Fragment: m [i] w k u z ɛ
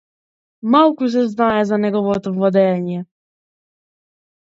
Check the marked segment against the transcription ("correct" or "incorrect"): incorrect